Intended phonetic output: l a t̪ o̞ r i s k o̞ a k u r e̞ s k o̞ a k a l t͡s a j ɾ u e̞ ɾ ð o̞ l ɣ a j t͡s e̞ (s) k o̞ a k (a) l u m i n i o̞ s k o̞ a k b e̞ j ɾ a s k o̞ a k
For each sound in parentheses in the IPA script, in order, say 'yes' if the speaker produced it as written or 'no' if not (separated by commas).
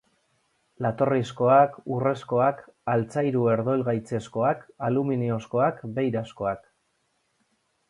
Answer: yes, yes